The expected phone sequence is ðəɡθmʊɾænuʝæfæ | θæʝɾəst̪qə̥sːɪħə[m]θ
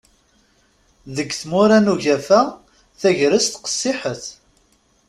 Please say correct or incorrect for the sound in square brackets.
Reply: incorrect